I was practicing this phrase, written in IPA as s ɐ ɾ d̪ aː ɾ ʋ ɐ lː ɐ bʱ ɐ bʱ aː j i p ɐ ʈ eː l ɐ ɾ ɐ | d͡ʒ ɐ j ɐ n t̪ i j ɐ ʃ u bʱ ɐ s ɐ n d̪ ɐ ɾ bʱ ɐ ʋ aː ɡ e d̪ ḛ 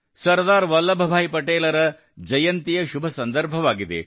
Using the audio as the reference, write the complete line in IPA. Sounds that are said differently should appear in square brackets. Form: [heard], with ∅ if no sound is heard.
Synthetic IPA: s ɐ ɾ d̪ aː ɾ ʋ ɐ lː ɐ bʱ ɐ bʱ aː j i p ɐ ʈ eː l ɐ ɾ ɐ | d͡ʒ ɐ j ɐ n t̪ i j ɐ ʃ u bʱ ɐ s ɐ n d̪ ɐ ɾ bʱ ɐ ʋ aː ɡ [i] d̪ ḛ